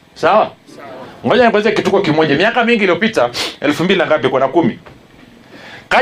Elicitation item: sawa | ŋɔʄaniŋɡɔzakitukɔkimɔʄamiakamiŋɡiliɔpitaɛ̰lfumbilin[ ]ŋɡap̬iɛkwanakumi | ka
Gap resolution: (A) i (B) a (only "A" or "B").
B